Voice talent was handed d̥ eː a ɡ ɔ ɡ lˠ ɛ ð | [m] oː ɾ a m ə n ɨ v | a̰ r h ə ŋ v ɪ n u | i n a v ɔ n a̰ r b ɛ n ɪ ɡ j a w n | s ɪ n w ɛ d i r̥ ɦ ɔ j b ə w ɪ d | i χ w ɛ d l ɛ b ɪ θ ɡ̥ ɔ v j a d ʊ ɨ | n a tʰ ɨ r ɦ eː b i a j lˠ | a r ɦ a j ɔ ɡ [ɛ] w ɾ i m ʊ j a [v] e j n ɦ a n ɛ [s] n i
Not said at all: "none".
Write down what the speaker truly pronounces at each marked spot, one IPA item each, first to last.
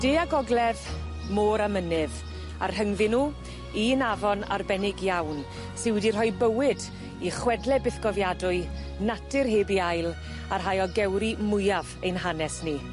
m, ɛ, v, s

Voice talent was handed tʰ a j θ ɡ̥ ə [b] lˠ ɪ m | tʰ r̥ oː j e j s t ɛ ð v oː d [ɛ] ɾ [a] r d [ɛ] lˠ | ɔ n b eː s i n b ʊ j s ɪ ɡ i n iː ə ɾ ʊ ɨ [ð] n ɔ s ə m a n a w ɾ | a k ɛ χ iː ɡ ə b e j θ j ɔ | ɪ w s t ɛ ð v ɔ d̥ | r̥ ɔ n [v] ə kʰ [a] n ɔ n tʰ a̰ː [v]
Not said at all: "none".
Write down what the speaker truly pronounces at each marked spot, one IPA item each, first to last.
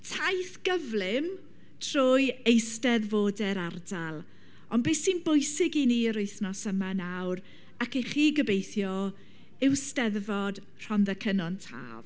v, ɛ, a, a, θ, ð, ə, v

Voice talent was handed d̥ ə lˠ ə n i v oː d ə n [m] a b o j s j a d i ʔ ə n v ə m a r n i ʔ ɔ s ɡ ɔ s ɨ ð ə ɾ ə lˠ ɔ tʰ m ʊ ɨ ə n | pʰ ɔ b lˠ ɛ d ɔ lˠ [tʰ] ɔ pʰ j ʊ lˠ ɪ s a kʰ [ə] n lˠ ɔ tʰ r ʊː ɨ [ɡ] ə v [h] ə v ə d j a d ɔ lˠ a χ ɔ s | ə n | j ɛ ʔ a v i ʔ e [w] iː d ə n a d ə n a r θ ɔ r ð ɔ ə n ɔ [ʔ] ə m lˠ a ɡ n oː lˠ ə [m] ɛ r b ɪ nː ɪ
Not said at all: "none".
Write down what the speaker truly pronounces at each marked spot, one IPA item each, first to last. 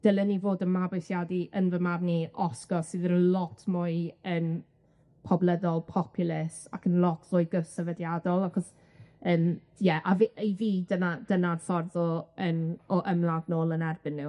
m, pʰ, ə, ɡ, s, v, ʔ, n

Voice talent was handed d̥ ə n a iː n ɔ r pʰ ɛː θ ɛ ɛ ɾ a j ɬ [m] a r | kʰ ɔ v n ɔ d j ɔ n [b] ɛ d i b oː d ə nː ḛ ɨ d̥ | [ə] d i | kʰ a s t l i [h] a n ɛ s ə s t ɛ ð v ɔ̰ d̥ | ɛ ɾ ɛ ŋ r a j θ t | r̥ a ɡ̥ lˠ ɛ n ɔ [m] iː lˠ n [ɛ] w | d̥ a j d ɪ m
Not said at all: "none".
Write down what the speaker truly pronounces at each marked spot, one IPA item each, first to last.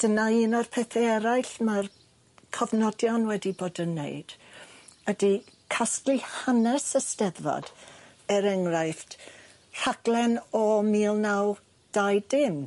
m, w, ə, h, m, a

